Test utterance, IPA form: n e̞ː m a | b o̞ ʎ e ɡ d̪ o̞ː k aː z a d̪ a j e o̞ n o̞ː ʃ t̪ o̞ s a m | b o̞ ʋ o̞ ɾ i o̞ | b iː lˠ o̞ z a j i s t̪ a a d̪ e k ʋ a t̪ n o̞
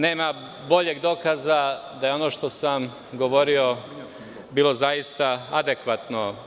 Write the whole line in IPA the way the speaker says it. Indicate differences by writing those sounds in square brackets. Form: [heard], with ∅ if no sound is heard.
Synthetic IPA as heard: n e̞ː m a | b o̞ ʎ e ɡ d̪ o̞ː k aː z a d̪ a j e o̞ n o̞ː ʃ t̪ o̞ s a m | [ɡ] o̞ ʋ o̞ ɾ i o̞ | b iː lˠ o̞ z a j i s t̪ a a d̪ e k ʋ a t̪ n o̞